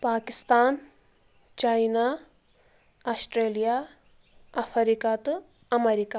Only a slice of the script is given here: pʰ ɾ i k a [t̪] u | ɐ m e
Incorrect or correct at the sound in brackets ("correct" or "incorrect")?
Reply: correct